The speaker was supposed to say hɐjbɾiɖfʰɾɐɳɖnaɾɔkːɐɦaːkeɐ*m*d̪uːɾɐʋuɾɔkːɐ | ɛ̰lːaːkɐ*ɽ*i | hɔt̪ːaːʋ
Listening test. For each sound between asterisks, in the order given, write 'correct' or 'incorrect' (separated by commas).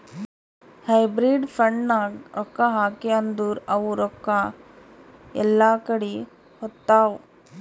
incorrect, correct